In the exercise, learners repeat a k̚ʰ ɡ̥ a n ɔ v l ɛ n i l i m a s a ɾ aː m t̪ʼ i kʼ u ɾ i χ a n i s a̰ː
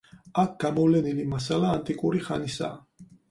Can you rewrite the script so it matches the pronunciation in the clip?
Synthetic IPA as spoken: a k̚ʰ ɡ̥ a m ɔ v l ɛ n i l i m a s a l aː n t̪ʼ i kʼ u ɾ i χ a n i s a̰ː